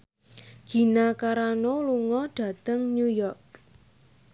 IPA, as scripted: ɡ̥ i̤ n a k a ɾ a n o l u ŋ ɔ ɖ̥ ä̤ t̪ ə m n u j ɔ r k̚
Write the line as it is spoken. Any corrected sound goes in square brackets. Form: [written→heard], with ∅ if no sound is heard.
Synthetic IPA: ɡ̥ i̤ n a k a ɾ a n o l u ŋ ɔ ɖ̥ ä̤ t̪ ə [m→ŋ] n u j ɔ r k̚